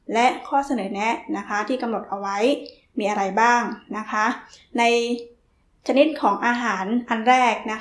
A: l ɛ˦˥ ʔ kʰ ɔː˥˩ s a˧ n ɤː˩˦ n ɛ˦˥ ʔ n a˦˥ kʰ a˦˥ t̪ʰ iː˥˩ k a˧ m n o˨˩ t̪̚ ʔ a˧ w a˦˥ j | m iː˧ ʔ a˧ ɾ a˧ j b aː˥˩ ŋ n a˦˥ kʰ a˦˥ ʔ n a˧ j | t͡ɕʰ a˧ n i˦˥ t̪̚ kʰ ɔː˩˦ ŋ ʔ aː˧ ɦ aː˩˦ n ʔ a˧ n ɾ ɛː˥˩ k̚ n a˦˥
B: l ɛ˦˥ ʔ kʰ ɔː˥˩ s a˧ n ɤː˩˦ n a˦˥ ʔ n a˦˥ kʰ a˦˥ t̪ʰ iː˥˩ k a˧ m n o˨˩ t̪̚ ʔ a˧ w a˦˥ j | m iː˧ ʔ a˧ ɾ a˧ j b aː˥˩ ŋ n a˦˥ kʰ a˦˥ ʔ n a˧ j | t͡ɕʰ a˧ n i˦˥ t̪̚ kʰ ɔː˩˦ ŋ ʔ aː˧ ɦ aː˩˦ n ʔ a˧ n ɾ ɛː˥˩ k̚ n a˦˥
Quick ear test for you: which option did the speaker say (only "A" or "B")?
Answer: A